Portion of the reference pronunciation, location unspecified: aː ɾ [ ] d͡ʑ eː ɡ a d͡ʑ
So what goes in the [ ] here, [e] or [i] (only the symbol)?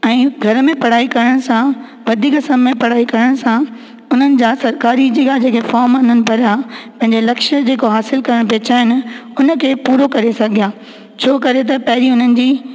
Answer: i